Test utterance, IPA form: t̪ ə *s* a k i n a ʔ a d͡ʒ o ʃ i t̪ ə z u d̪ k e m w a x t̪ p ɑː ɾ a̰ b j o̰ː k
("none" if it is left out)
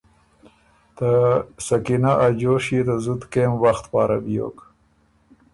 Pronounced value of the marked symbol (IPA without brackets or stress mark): s